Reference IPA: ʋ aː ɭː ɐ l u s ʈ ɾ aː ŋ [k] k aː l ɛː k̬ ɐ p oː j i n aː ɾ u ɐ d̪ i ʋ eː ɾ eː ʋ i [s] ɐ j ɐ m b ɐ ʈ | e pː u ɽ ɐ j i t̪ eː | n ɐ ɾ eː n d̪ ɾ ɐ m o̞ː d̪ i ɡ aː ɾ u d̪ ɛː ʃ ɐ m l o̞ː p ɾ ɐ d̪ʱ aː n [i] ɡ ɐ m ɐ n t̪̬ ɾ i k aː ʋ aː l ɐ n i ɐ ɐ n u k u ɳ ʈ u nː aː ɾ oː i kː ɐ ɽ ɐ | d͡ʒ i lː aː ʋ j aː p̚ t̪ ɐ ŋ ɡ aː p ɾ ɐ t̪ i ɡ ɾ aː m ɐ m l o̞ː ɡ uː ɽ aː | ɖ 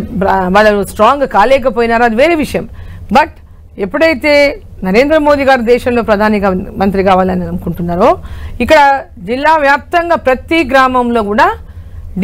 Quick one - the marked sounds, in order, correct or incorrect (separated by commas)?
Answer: incorrect, incorrect, correct